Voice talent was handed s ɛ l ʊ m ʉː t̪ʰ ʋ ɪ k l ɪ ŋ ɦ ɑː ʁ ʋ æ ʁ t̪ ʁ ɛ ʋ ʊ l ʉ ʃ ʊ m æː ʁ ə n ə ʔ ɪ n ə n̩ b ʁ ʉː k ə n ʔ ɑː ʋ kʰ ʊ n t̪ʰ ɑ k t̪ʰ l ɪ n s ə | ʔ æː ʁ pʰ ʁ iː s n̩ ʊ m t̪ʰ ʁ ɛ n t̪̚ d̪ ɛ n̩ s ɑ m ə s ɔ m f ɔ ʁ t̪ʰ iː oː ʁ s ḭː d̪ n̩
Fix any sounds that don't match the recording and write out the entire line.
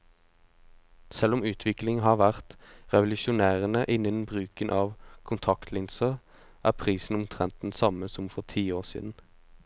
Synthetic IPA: s ɛ l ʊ m ʉː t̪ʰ ʋ ɪ k l ɪ ŋ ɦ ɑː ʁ ʋ æ ʁ t̪ ʁ ɛ ʋ ʊ l ʉ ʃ ʊ n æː ʁ ə n ə ʔ ɪ n ə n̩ b ʁ ʉː k ə n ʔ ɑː ʋ kʰ ʊ n t̪ʰ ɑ k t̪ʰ l ɪ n s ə | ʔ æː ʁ pʰ ʁ iː s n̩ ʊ m t̪ʰ ʁ ɛ n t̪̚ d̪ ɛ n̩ s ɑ m ə s ɔ m f ɔ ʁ t̪ʰ iː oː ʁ s ḭː d̪ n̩